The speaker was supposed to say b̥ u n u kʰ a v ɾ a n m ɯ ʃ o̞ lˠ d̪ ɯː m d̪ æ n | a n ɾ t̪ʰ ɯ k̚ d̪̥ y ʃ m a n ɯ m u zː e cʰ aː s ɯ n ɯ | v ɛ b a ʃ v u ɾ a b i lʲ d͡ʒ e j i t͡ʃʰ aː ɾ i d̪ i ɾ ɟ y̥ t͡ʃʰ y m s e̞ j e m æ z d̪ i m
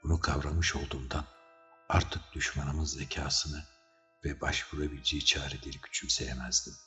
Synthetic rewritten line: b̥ u n u kʰ a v ɾ a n m ɯ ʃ o̞ lˠ d̪ uː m d̪ a n | a ɾ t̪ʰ ɯ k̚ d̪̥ y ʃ m a n ɯ m ɯ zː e cʰ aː s ɯ n ɯ | v ɛ b a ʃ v u ɾ a b i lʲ d͡ʒ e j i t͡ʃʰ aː ɾ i d̪ i ɾ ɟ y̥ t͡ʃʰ y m s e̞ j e m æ z d̪ i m